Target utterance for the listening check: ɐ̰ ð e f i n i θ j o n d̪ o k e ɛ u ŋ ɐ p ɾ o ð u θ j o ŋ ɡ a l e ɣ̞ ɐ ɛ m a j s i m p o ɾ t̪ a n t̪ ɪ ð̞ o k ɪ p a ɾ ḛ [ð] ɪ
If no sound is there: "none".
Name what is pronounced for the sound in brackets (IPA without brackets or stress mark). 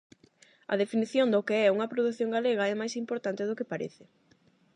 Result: θ